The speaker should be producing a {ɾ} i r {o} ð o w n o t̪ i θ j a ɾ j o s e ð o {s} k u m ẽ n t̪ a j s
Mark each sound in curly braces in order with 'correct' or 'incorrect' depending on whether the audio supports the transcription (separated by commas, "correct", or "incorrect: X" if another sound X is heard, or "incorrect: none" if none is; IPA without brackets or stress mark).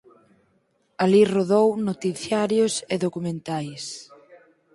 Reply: incorrect: l, correct, incorrect: none